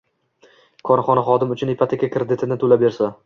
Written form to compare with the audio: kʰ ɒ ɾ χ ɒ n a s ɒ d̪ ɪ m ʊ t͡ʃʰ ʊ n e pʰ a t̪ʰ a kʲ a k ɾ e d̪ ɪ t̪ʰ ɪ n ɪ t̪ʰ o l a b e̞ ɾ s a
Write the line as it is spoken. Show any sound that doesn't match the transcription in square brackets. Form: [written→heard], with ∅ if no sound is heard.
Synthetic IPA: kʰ ɒ ɾ χ ɒ n a [s→χ] ɒ d̪ ɪ m ʊ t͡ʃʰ ʊ n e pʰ a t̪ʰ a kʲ a k ɾ e d̪ ɪ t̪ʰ ɪ n ɪ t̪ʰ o l a b e̞ ɾ s a